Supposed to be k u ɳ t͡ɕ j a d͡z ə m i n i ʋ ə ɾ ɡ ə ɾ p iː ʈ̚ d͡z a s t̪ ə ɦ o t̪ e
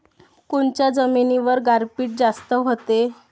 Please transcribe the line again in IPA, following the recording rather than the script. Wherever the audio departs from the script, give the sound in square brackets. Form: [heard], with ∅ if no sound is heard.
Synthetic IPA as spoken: k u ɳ t͡ɕ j a d͡z ə m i n i ʋ ə ɾ ɡ [a] ɾ p iː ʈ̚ d͡z a s t̪ ə ɦ o t̪ e